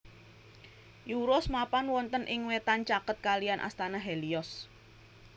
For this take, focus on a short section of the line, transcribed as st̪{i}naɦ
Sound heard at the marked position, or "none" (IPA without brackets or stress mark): a